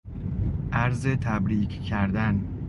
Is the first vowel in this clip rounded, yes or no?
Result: no